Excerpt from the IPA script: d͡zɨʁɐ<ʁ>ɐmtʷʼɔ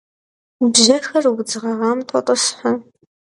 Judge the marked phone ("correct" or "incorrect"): correct